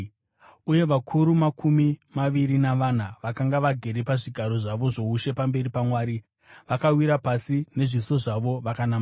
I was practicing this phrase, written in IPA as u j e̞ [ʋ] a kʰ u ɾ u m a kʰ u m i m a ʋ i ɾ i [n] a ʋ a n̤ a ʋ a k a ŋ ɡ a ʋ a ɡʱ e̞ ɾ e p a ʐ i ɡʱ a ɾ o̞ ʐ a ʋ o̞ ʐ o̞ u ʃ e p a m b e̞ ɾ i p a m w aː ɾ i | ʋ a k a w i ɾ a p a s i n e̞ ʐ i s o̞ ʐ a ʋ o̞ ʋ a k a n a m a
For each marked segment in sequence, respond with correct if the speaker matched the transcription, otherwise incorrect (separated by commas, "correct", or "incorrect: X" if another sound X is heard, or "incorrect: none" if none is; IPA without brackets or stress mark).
correct, correct